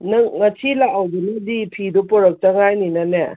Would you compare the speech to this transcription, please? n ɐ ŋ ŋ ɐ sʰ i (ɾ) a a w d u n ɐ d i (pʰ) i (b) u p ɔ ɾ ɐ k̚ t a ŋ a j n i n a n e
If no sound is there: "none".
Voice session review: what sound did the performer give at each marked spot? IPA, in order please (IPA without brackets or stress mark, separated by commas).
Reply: l, pʰ, d